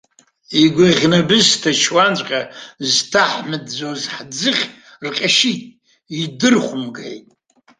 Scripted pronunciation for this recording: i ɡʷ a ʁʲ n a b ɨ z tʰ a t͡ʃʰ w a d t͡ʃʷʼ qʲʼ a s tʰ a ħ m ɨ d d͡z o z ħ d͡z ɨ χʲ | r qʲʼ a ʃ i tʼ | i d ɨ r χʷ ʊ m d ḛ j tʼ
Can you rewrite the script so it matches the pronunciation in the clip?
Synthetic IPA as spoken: i ɡʷ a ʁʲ n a b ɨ z tʰ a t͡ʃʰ w a n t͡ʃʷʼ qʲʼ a z tʰ a ħ m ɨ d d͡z o z ħ d͡z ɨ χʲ | r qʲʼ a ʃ i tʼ | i d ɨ r χʷ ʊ m ɡ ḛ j tʼ